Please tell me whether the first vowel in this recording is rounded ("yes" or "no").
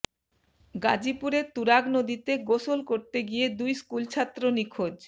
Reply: no